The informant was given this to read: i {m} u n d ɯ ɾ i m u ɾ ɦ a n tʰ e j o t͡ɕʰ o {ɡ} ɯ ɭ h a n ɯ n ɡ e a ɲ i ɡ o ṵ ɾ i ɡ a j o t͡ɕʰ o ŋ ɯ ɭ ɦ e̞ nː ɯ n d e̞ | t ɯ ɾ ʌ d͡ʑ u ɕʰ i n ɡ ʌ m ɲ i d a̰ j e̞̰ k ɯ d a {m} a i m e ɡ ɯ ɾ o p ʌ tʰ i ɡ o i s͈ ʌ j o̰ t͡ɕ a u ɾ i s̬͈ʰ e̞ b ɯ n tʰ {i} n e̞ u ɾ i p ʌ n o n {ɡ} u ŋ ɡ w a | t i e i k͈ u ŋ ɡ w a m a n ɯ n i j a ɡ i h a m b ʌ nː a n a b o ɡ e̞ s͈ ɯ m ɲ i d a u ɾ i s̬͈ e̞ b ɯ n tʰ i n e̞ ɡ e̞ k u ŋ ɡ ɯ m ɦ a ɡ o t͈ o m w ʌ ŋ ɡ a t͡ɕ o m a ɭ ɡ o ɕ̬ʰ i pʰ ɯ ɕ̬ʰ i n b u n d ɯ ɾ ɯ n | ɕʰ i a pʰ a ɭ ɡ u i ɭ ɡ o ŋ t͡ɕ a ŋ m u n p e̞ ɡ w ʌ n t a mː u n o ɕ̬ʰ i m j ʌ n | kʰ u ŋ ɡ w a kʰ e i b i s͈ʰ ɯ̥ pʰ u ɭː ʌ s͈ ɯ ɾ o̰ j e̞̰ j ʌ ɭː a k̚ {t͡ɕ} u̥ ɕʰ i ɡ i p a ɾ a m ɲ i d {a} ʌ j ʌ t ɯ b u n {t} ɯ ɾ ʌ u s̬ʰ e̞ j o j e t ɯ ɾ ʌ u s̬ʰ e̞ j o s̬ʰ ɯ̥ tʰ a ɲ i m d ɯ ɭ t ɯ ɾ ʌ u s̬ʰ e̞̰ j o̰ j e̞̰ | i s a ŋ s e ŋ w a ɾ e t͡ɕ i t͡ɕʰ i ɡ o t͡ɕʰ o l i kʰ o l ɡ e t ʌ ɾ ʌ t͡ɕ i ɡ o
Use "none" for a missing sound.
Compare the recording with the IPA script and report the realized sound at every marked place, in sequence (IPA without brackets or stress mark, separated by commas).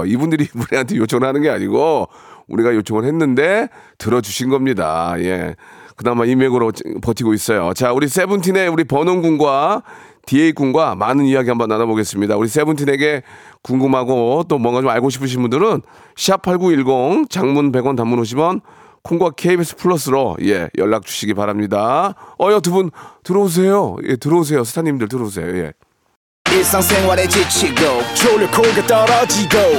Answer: b, ŋ, m, i, ɡ, t͡ɕ, a, t